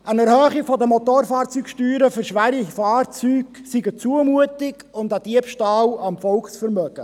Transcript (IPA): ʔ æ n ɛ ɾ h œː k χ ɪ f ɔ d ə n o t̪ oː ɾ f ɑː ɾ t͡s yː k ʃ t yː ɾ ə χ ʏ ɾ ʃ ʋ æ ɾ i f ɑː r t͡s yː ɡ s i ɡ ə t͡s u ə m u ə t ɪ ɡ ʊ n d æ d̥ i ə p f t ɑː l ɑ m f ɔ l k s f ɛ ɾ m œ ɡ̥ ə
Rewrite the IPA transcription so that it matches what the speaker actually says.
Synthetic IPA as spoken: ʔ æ n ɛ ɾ h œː χ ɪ f ɔ d ə m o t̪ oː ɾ f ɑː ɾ t͡s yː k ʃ t yː ɾ ə f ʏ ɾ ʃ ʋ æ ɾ i f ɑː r t͡s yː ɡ s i ɡ ə t͡s u ə m u ə t ɪ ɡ ʊ n d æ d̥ i ə p ʃ t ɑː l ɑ m f ɔ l k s f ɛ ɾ m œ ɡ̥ ə

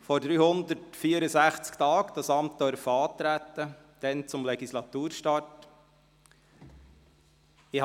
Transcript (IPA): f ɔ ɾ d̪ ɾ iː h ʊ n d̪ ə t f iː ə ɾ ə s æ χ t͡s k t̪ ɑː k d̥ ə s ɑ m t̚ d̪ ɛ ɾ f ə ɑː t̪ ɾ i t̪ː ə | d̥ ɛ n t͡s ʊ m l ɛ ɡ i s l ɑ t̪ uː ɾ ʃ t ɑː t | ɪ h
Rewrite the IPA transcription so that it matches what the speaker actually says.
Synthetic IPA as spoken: f ɔ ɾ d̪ ɾ yː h ʊ n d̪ ə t f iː ə ɾ ə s æ χ t͡s k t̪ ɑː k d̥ ɑ s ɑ m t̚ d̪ œ ɾ f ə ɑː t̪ ɾ æ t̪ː ə | d̥ ɛ n t͡s ʊ m l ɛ ɡ i s l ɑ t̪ uː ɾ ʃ t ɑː t | ɪ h

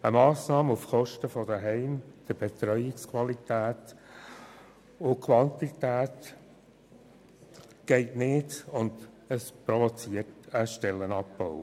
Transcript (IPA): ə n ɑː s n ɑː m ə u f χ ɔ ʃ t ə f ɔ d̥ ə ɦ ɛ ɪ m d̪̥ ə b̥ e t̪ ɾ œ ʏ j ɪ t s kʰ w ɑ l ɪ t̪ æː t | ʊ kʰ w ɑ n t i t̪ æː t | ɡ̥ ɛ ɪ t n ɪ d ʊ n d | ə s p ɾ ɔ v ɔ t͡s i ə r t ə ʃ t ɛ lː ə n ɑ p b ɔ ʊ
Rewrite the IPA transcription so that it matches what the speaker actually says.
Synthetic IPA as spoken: ə m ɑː s n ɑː m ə u f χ ɔ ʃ t ə f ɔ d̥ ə ɦ ɛ ɪ m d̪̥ ə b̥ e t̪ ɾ œ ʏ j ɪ k s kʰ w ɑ l i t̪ æː t | ʊ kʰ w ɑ n t i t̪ æː t | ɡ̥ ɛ ɪ t n ɪ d ʊ n d | ə s p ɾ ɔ v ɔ t͡s i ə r t ə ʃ t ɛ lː ə n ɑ p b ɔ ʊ

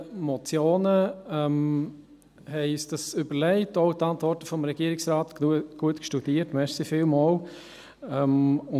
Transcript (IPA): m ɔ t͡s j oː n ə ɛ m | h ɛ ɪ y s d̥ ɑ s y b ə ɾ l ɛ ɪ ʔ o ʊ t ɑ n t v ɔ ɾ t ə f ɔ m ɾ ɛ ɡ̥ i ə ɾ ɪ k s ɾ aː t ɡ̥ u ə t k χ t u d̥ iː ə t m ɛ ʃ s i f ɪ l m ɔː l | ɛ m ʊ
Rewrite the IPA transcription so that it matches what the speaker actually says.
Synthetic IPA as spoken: m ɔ t͡s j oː n ə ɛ m | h ɛ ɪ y s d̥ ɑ s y b ə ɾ l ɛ ɪ t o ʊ t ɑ n t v ɔ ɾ t ə f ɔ m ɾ ɛ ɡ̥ i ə ɾ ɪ k s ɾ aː t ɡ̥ u ə t k ʃ t u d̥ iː ə t m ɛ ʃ s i f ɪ l m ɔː l | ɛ m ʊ

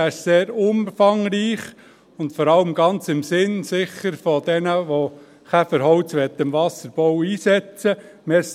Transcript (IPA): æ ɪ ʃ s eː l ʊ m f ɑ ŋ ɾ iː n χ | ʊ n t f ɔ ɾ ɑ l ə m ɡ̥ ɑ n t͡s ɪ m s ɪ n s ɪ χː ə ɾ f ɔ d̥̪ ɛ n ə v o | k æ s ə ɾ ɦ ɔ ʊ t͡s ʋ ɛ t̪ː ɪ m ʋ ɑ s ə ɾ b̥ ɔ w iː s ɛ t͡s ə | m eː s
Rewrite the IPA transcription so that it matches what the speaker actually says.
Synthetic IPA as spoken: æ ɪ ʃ s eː ɾ ʊ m f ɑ ŋ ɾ iː χ | ʊ n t f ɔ ɾ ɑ l ə m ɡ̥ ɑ n t͡s ɪ m s ɪ n s ɪ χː ə ɾ f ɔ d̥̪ ɛ n ə ʋ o | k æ f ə ɾ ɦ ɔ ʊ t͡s ʋ ɛ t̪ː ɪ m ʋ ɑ s ə ɾ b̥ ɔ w iː s ɛ t͡s ə | m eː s

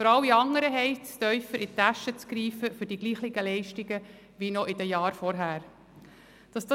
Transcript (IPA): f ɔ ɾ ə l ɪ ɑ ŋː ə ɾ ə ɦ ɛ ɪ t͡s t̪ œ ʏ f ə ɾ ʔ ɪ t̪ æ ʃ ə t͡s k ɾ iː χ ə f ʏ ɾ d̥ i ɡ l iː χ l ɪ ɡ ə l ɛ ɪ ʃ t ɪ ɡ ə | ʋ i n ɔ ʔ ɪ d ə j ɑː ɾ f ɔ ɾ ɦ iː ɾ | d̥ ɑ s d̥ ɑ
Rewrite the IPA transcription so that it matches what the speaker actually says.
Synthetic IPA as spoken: f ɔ ɾ ɑ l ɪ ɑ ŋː ə ɾ ə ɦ ɛ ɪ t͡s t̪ œ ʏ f ə ɾ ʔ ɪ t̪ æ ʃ ə t͡s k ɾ iː f ə f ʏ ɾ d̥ i ɡ l iː χ l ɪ ɡ ə l ɛ ɪ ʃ t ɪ ɡ ə | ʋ i n ɔ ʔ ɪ d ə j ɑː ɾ f ɔ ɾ ɦ æː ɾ | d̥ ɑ s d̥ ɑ

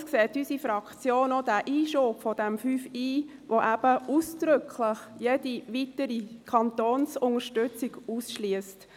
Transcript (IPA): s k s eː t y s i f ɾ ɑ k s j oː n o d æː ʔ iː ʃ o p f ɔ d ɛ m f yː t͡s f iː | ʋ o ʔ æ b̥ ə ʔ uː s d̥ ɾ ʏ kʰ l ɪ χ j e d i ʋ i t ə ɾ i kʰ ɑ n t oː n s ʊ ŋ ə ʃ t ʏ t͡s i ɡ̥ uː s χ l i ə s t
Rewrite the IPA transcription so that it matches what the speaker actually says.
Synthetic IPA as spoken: s k s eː t y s i f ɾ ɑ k t͡s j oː n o d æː ʔ iː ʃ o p f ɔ d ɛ m f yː f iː | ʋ o ʔ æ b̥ ə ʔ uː s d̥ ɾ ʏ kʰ l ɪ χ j e d i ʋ i t ə ɾ i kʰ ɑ n t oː n s ʊ ŋ ə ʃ t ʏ t͡s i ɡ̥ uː s ʃ l i ə s t

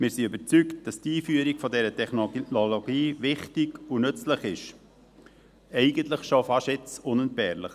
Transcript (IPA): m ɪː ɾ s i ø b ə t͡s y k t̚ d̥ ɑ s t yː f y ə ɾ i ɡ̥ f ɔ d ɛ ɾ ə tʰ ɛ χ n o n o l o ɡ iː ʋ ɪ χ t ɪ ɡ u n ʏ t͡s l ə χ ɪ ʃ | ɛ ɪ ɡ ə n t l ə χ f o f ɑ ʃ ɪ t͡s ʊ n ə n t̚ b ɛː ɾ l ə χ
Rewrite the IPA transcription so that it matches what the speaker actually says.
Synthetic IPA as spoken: m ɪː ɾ s i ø b ə t͡s y k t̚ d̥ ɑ s t iː f y ə ɾ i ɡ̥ f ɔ d ɛ ɾ ə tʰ ɛ χ n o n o l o ɡ iː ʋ ɪ χ t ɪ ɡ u n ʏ t͡s l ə χ ɪ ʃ | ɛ ɪ ɡ ə n t l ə χ ʃ o f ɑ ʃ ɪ t͡s ʊ n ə n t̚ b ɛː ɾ l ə χ

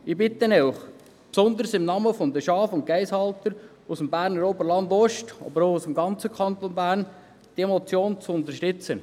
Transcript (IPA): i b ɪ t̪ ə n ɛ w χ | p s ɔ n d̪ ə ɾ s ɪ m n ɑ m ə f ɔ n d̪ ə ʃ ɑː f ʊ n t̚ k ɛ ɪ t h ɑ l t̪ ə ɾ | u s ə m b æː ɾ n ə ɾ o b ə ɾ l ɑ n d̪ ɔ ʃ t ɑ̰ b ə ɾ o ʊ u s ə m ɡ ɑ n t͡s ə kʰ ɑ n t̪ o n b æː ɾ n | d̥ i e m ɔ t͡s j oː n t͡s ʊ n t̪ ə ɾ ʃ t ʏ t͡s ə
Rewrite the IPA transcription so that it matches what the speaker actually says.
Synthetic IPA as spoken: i b ɪ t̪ ə n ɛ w χ | p s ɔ n d̪ ə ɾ s ɪ m n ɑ m ə f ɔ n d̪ ə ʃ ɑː f ʊ n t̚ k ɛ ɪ s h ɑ l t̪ ə ɾ | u s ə m b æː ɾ n ə ɾ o b ə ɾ l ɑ n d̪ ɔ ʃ t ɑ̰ b ə ɾ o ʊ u s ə m ɡ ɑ n t͡s ə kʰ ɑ n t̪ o n b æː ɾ n | d̥ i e m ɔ t͡s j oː n t͡s ʊ n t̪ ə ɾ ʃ t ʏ t͡s ə

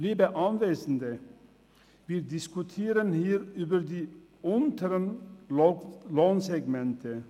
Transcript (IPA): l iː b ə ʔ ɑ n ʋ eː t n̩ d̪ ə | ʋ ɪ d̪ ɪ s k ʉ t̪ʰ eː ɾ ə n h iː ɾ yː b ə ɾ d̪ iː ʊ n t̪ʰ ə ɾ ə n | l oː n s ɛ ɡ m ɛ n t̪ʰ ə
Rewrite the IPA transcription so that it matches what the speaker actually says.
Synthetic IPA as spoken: l iː b ə ʔ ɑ n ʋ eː s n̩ d̪ ə | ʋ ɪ d̪ ɪ s k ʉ t̪ʰ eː ɾ ə n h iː ɾ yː b ə ɾ d̪ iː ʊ n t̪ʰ ə ɾ ə n | l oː n s ɛ ɡ m ɛ n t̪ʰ ə

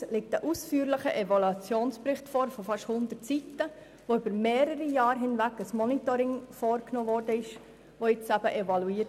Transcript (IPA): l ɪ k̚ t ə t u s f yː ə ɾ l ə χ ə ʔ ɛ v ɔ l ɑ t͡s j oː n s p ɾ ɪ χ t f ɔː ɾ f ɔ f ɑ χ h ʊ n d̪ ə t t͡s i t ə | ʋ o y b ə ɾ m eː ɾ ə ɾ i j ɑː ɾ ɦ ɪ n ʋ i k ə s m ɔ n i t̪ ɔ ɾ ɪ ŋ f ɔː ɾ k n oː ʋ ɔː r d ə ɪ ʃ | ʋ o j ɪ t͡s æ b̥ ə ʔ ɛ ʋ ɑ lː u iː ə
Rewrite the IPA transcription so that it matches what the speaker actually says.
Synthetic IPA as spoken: l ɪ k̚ t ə ʔ u s f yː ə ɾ l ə χ ə ʔ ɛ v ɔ l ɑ t͡s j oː n s p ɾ ɪ χ t f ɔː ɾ f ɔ f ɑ ʃ h ʊ n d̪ ə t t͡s i t ə | ʋ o y b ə ɾ m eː ɾ ə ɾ i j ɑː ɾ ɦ ɪ n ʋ æ k ə s m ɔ n i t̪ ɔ ɾ ɪ ŋ f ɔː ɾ k n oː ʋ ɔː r d ə ɪ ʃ | ʋ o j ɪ t͡s æ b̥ ə ʔ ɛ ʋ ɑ l u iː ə

